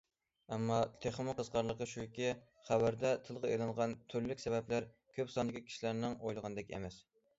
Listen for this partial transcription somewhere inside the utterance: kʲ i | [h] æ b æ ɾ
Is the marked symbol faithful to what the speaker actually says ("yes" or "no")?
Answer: no